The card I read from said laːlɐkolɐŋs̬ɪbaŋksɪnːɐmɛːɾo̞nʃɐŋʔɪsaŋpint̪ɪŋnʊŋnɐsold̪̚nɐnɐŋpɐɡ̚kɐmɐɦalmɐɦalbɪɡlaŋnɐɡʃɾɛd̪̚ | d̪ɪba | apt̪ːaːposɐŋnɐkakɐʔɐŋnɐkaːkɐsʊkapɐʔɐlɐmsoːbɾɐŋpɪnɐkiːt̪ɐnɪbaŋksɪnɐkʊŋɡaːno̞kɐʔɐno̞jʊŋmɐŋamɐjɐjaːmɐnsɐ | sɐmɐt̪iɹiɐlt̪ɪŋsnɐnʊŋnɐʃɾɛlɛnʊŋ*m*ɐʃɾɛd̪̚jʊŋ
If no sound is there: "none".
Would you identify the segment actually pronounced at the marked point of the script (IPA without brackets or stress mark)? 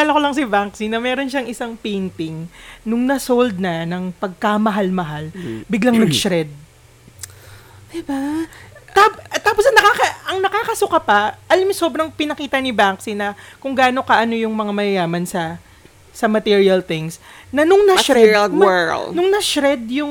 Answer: n